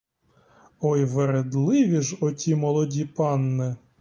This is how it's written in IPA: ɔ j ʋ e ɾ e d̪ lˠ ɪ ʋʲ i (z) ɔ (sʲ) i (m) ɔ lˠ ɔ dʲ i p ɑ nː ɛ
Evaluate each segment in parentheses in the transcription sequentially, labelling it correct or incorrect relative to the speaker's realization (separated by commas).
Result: incorrect, incorrect, correct